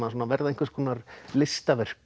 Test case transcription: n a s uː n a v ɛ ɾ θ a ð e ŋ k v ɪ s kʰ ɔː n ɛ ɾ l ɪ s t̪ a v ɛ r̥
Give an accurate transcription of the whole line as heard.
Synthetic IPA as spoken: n a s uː n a v ɛ ɾ ð a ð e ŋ k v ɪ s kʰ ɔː n a ɾ l ɪ s t̪ a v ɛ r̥